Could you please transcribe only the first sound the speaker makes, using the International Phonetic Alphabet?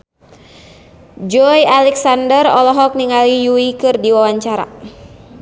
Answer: d͡ʒ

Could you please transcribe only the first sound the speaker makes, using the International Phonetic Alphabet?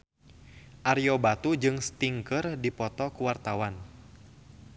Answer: ʔ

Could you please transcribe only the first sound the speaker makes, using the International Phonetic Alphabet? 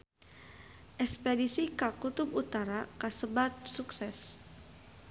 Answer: ʔ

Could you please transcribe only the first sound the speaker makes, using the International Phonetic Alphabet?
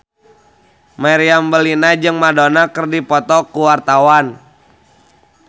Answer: m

